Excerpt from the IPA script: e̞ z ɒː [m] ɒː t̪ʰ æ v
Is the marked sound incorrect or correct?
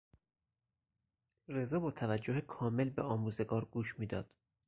incorrect